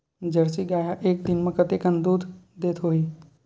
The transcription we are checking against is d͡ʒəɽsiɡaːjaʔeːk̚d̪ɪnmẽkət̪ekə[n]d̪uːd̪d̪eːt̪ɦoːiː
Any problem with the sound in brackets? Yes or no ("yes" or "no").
no